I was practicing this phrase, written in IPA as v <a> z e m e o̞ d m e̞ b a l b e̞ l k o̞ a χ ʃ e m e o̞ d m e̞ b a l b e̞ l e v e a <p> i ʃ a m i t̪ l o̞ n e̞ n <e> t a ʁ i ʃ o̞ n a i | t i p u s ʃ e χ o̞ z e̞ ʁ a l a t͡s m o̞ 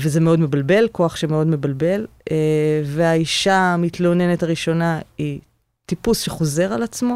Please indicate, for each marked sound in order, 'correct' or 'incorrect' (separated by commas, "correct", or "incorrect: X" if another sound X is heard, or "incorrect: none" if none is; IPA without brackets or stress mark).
incorrect: e, incorrect: none, correct